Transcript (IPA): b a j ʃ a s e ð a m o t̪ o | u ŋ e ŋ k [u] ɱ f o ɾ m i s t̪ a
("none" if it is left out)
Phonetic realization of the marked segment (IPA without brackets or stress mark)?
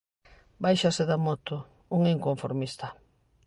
o